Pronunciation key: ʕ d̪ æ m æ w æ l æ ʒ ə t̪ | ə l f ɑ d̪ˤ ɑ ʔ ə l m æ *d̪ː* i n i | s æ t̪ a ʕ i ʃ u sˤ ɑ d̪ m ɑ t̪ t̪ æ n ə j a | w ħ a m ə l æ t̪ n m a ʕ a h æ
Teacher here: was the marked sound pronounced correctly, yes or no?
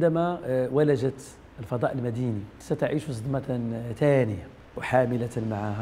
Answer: no